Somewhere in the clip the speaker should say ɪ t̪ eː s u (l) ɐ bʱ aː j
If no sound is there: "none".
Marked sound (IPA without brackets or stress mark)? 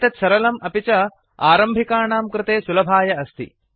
l